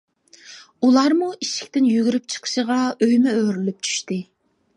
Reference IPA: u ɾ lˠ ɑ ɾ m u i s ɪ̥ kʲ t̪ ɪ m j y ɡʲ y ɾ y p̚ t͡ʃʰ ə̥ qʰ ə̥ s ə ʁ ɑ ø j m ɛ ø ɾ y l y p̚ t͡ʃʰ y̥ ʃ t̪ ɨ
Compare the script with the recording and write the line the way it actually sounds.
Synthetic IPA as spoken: u lˠ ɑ ɾ m u i ʃ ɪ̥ kʲ t̪ ɪ n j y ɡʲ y ɾ y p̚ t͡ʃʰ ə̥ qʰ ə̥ ʃ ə ʁ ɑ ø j m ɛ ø ɾ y l y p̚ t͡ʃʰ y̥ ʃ t̪ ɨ